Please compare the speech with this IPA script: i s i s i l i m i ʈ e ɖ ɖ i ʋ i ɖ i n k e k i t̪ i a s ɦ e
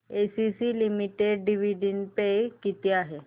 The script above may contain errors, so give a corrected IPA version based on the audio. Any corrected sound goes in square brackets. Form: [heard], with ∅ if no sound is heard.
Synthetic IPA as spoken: [e] s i s i l i m i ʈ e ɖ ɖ i ʋ i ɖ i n [p] e k i t̪ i a [∅] ɦ e